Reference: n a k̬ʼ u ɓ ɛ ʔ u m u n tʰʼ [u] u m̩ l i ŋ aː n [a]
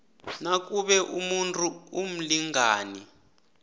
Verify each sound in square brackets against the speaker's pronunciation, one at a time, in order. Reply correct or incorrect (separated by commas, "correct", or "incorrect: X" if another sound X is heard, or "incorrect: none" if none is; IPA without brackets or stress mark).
correct, incorrect: i